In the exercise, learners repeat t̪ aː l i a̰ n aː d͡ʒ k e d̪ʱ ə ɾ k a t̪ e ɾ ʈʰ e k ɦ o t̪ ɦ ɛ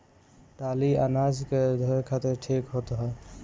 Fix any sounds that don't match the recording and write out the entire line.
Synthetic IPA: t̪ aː l i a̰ n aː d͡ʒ k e d̪ʱ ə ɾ kʰ a t̪ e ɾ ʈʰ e k ɦ o t̪ ɦ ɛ

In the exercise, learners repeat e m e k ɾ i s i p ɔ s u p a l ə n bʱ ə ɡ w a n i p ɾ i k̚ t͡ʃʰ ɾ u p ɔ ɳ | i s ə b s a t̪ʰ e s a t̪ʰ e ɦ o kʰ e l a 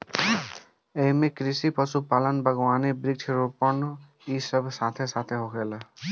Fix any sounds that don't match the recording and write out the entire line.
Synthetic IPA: e m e k ɾ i s i p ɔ s u p a l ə n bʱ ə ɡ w a n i b ɾ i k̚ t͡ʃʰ ɾ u p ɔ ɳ | i s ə b s a t̪ʰ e s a t̪ʰ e ɦ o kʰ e l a

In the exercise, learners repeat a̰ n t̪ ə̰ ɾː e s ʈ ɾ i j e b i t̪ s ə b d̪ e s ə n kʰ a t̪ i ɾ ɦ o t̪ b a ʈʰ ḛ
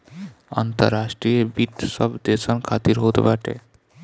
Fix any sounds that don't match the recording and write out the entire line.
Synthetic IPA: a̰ n t̪ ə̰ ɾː a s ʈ ɾ i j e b i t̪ s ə b d̪ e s ə n kʰ a t̪ i ɾ ɦ o t̪ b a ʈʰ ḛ

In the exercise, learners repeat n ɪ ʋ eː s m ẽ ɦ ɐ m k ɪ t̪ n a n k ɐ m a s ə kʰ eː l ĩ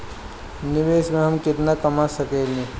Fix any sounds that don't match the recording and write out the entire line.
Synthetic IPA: n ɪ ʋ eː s m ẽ ɦ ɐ m k ɪ t̪ n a k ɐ m a s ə k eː l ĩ

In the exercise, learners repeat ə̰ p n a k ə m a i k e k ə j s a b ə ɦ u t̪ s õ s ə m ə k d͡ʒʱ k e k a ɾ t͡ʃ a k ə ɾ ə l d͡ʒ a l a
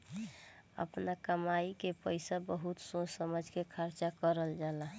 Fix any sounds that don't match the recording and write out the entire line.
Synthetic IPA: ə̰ p n a k ə m a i k e p ə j s a b ə ɦ u t̪ s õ s ə m ə d͡ʒʱ k e kʰ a ɾ t͡ʃ a k ə ɾ ə l d͡ʒ a l a

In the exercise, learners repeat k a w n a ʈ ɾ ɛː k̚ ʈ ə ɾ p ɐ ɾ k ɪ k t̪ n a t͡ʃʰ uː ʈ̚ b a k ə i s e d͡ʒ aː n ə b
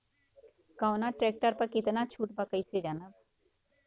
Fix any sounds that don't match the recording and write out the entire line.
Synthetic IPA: k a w n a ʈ ɾ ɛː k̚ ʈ ə ɾ p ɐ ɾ k ɪ t̪ n a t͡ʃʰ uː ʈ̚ b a k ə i s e d͡ʒ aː n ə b

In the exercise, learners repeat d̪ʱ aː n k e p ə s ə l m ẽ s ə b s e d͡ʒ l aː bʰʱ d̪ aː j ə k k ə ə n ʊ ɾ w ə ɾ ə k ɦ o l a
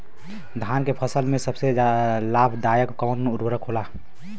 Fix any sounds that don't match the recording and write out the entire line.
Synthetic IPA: d̪ʱ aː n k e pʰ ə s ə l m ẽ s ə b s e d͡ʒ l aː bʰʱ d̪ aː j ə k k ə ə n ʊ ɾ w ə ɾ ə k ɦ o l a

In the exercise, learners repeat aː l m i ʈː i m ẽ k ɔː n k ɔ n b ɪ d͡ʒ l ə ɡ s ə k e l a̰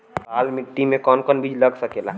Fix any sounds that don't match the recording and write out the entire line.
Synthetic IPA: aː l m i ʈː i m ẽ k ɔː n k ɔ n b i d͡ʒ l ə ɡ s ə k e l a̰

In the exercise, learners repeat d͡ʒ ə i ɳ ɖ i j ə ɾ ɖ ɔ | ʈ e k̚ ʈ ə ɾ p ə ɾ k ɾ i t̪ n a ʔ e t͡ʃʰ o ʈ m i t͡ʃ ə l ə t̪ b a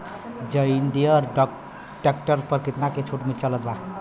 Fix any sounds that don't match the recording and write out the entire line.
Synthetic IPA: d͡ʒ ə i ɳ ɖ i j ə ɾ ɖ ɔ | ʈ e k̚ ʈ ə ɾ p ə ɾ k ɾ i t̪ n a k e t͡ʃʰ u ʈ m i t͡ʃ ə l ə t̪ b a

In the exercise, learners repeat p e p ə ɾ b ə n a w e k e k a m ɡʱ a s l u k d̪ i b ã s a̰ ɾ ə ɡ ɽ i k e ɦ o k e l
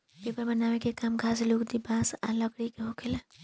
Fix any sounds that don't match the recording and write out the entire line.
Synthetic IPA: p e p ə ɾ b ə n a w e k e k a m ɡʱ a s l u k d̪ i b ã s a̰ l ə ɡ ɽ i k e ɦ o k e l

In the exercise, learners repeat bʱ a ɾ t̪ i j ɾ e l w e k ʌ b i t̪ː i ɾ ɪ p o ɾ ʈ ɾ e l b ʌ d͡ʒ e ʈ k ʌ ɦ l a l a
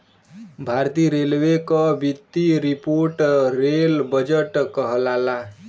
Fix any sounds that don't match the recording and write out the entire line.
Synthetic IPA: bʱ a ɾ t̪ i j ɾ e l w e k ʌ b i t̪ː i ɾ i p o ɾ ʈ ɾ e l b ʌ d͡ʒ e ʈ k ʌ ɦ l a l a

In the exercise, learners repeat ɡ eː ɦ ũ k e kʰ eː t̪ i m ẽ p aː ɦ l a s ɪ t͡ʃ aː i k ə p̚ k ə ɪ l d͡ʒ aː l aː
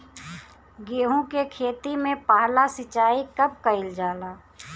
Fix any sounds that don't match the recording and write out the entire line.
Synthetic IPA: ɡ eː ɦ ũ k e kʰ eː t̪ i m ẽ p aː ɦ l a s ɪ t͡ʃ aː i k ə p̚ k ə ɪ l d͡ʒ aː l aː

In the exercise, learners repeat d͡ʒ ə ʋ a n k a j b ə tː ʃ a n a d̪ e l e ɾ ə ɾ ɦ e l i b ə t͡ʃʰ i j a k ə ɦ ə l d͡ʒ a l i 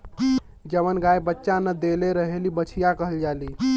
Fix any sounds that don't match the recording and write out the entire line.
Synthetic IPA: d͡ʒ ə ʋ ə n ɡ a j b ə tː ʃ a n ə d̪ e l e ɾ ə ɦ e l i b ə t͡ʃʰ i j a k ə ɦ ə l d͡ʒ a l i

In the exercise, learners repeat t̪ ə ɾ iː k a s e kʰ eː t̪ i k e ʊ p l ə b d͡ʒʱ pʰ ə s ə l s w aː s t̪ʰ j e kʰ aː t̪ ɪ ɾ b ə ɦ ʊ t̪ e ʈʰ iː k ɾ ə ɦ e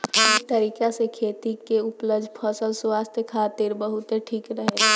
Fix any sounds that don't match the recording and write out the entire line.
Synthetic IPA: t̪ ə ɾ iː k a s e kʰ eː t̪ i k e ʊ p l ə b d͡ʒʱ pʰ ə s ə l s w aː s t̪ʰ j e kʰ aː t̪ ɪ ɾ b ə ɦ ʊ t̪ e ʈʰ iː k ɾ ə ɦ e

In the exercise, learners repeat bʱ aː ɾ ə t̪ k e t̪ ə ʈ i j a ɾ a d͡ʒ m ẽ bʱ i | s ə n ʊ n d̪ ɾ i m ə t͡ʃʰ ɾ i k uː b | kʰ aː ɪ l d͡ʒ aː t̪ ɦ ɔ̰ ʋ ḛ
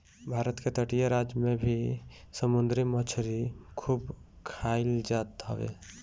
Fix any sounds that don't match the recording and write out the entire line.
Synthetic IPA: bʱ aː ɾ ə t̪ k e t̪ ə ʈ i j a ɾ a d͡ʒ m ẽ bʱ i | s ə m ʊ n d̪ ɾ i m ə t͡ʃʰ ɾ i kʰ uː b | kʰ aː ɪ l d͡ʒ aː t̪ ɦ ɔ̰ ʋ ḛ

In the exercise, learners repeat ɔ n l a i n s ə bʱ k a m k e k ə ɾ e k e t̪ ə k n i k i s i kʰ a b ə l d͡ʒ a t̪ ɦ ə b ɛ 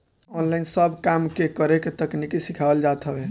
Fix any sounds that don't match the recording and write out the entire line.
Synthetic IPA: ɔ n l a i n s ə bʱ k a m k e k ə ɾ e k e t̪ ə k n i k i s i kʰ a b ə l d͡ʒ a t̪ ɦ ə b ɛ

